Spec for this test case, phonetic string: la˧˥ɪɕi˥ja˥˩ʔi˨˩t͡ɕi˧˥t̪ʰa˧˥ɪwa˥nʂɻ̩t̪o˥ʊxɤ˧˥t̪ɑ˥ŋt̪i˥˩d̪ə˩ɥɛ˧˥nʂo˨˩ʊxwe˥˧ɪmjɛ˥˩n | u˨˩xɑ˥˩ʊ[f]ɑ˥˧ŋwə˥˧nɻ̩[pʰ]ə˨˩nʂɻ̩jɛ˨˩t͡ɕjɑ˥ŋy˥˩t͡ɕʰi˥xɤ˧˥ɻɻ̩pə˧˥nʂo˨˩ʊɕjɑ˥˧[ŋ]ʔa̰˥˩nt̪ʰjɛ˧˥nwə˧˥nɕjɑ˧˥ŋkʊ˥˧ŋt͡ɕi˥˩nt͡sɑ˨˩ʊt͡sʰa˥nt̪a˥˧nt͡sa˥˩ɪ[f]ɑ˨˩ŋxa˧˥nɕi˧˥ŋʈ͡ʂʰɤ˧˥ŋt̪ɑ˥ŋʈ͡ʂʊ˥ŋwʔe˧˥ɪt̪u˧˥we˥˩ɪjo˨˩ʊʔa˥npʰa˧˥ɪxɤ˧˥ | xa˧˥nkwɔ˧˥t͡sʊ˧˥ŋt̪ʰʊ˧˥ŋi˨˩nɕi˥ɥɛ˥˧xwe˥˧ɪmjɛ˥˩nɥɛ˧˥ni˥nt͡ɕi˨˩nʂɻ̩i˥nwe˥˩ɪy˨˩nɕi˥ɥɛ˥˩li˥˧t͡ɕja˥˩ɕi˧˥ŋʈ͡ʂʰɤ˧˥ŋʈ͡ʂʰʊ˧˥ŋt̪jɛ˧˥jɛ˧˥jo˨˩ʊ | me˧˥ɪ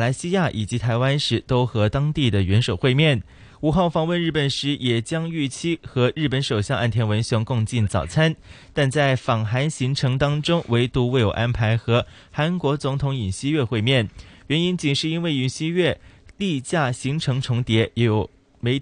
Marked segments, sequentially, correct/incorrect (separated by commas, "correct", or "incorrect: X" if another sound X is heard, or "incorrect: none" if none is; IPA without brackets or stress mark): correct, incorrect: p, correct, correct